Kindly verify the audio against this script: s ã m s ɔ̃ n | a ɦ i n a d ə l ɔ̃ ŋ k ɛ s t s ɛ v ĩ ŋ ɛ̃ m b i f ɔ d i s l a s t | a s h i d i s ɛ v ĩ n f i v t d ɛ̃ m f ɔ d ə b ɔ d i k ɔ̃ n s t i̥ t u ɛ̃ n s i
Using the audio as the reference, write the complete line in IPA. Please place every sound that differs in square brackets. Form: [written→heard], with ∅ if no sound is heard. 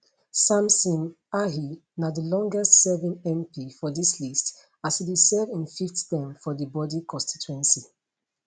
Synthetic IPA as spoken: s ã m s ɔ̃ n | a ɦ i n a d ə l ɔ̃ ŋ [k→ɡ] ɛ s t s ɛ v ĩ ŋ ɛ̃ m [b→p] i f ɔ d i s l [a→i] s t | a s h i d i s ɛ v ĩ n f i [v→f] t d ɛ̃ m f ɔ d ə b ɔ d i k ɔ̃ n s t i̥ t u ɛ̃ n s i